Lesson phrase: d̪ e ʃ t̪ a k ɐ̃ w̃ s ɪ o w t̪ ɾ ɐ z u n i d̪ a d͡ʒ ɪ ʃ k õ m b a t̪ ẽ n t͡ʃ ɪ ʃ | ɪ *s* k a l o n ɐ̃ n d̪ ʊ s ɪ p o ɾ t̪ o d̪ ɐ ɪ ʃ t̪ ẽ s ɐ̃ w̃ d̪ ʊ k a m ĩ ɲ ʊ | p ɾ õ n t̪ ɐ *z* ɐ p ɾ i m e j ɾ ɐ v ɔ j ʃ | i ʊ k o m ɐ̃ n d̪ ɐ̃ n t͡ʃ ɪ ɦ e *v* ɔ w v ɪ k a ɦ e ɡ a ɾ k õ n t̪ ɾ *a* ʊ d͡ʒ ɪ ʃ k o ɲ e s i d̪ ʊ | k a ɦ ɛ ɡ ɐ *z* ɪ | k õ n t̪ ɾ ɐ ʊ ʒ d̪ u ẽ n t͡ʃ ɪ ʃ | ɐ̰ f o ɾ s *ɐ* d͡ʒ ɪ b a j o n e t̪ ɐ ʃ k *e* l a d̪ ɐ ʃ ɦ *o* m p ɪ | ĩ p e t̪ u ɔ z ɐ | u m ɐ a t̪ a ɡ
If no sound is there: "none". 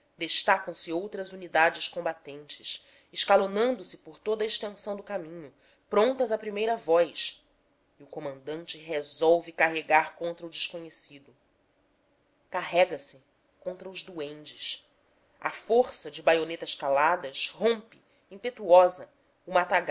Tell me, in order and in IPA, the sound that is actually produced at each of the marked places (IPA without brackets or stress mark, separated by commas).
ʃ, z, z, ɐ, s, ɐ, a, õ